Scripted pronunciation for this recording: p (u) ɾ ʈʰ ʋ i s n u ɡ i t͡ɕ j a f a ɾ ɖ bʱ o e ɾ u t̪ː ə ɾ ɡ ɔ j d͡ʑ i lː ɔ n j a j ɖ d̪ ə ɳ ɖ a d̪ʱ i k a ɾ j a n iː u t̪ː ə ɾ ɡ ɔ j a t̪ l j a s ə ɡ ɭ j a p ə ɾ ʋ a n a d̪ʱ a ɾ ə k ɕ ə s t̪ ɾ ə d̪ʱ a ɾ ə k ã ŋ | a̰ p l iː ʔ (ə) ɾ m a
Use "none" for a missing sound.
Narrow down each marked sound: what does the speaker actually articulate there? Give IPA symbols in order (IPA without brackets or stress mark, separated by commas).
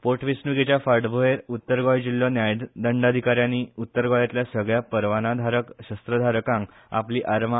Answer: o, a